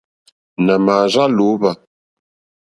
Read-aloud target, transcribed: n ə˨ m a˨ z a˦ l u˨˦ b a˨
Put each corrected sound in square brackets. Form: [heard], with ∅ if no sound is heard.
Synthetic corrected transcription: n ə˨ m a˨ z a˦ l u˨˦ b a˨